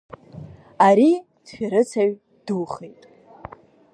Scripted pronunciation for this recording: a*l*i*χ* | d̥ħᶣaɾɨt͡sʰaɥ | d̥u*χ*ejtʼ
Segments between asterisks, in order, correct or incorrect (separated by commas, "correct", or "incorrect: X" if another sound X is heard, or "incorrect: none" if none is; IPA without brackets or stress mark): incorrect: ɾ, incorrect: none, correct